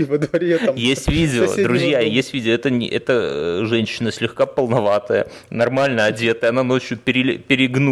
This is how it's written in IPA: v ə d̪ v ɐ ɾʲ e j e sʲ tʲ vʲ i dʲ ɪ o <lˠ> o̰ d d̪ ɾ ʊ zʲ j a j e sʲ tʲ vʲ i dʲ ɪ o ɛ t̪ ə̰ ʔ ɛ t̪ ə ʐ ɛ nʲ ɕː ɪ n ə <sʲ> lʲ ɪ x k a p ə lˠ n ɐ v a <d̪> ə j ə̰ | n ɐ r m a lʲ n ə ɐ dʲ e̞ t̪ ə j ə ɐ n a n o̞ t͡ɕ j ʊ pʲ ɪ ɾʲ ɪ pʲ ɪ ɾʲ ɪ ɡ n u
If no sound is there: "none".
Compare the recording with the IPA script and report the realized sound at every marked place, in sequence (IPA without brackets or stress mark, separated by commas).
none, sʲ, t̪